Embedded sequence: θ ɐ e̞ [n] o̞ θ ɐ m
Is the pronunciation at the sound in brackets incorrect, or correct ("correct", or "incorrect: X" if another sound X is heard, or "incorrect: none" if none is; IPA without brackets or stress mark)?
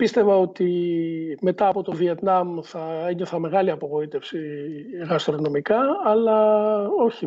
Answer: incorrect: ɲ